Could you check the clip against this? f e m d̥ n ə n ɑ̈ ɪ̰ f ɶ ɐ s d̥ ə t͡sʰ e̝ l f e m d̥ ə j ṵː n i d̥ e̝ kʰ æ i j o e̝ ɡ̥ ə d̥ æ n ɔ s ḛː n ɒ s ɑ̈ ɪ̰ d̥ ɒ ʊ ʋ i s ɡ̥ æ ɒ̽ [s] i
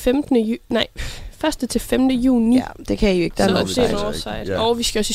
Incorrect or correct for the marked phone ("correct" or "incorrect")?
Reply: correct